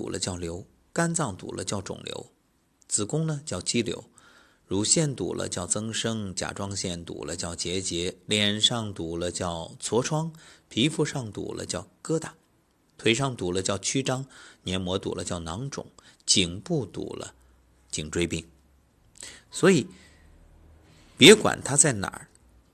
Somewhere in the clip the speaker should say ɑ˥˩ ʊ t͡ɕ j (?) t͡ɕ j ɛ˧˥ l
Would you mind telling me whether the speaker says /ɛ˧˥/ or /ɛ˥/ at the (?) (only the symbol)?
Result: ɛ˧˥